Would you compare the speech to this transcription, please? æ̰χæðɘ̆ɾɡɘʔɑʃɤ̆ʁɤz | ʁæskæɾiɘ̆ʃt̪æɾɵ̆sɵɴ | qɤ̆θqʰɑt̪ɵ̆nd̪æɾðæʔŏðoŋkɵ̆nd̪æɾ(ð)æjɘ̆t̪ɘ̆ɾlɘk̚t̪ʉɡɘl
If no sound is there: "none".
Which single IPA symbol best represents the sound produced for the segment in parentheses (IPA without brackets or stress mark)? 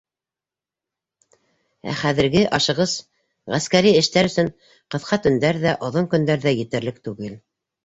ð